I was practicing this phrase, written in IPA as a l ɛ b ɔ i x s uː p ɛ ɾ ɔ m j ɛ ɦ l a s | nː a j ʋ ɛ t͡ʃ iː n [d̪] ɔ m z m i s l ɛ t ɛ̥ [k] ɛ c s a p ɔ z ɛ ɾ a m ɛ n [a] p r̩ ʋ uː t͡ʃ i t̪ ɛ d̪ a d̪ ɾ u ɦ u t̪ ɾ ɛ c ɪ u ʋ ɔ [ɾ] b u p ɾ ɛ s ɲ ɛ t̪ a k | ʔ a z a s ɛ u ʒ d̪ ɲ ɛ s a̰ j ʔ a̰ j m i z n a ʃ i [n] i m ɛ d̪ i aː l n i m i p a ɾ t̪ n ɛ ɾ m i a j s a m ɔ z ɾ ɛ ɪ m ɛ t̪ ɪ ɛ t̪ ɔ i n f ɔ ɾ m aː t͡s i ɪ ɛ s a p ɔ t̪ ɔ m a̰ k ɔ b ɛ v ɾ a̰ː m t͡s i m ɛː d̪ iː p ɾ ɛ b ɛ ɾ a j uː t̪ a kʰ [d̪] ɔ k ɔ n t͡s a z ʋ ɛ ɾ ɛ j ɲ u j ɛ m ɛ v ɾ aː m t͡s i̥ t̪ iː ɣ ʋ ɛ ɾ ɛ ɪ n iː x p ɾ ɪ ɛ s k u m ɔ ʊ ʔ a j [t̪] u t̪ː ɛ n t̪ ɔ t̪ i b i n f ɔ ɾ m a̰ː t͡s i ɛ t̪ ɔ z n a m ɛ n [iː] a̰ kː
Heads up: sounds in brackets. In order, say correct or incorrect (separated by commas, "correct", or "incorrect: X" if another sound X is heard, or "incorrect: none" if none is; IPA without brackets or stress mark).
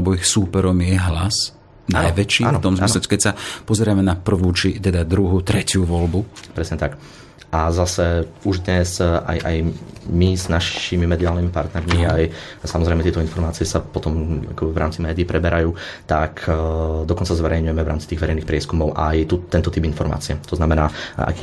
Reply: incorrect: t̪, correct, correct, incorrect: l, incorrect: m, correct, correct, incorrect: aː